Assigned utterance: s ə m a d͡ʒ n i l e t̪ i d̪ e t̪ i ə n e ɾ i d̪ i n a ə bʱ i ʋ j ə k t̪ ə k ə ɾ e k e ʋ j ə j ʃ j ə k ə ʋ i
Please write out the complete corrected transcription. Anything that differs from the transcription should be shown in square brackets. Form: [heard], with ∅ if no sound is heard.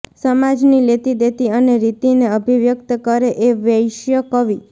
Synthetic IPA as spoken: s ə m a d͡ʒ n i l e t̪ i d̪ e t̪ i ə n e ɾ i [t̪] i n [e] ə bʱ i ʋ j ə k t̪ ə k ə ɾ e [ʔ] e ʋ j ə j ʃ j ə k ə ʋ i